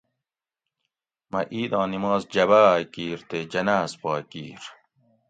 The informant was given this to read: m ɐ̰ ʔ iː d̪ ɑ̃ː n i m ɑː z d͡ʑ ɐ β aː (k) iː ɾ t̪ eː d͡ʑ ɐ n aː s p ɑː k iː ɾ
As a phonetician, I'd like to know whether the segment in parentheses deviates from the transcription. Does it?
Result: no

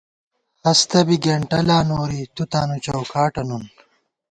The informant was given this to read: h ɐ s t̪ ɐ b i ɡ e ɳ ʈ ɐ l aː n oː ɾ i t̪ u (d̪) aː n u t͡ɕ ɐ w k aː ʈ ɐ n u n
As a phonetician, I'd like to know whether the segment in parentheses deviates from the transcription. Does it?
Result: yes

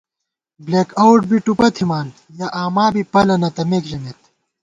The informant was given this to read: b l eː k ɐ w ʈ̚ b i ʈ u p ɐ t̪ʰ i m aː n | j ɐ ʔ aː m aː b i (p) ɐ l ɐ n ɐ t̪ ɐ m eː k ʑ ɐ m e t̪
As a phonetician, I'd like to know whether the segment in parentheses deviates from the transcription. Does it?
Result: no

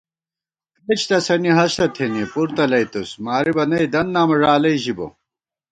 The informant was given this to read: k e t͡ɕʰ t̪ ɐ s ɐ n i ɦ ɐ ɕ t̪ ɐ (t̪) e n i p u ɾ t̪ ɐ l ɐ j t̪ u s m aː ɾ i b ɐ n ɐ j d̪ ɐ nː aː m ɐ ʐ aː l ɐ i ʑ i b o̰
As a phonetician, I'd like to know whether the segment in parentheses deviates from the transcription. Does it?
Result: yes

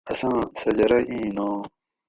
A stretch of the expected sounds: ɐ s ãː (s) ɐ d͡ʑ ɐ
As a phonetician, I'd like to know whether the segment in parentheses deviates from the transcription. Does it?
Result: no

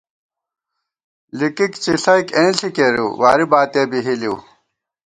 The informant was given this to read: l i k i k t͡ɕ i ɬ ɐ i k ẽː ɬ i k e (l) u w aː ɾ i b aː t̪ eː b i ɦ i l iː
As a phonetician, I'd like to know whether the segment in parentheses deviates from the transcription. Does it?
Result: yes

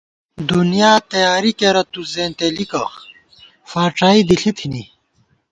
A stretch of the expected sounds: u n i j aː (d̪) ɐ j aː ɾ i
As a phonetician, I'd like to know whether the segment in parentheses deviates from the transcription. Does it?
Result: yes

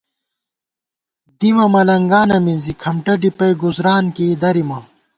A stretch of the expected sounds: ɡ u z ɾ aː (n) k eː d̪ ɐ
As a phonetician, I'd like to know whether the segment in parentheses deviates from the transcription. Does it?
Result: no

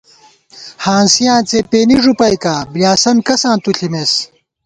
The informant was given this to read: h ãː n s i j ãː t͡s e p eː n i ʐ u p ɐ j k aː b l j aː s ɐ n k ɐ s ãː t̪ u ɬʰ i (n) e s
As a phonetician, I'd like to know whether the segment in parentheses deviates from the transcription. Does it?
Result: yes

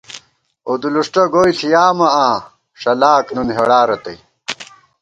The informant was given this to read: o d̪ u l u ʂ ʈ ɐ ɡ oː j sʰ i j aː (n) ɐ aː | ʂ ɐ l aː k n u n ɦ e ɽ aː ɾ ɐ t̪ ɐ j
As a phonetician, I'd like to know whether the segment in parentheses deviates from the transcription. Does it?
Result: yes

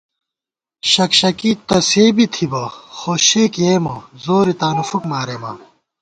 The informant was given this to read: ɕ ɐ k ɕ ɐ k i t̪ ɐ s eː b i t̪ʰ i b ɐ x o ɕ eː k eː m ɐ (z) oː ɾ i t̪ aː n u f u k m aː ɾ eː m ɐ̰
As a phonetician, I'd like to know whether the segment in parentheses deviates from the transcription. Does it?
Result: no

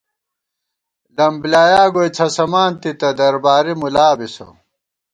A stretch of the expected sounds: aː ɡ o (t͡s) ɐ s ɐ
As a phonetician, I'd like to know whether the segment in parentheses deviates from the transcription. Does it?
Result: yes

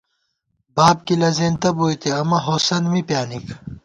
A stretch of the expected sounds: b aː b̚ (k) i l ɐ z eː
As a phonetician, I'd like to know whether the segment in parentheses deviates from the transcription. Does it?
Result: no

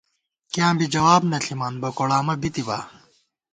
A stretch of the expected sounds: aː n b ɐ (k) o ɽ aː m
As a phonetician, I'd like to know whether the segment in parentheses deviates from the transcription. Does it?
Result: no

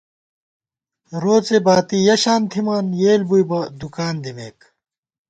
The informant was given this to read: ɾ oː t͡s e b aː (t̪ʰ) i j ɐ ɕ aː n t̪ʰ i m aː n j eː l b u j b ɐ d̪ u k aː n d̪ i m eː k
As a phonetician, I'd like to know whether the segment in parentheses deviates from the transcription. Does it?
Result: yes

